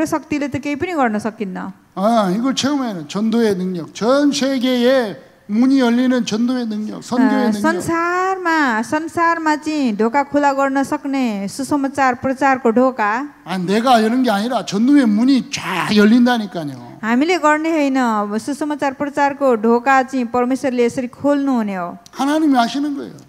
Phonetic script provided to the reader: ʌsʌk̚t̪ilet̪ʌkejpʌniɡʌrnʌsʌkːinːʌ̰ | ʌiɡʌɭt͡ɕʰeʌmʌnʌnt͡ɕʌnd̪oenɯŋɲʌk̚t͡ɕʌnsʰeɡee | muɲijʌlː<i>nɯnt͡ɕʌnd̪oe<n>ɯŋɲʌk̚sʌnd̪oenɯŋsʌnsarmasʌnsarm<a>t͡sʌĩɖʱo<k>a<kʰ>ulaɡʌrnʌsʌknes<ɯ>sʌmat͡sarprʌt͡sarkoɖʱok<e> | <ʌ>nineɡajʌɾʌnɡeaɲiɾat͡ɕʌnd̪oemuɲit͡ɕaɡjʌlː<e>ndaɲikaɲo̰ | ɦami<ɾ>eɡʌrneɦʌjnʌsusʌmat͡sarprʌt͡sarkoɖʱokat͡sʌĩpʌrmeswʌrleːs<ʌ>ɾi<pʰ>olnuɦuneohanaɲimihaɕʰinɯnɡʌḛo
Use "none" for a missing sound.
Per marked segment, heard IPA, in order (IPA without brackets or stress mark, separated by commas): i, n, a, k, kʰ, u, a, a, i, l, ʌ, kʰ